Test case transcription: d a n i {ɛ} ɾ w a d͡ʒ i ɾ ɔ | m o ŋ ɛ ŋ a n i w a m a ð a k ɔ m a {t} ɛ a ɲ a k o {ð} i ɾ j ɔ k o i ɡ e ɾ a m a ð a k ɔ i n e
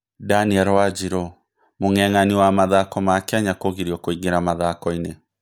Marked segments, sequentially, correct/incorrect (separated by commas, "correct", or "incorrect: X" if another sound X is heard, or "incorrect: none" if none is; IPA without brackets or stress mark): correct, incorrect: k, incorrect: ɣ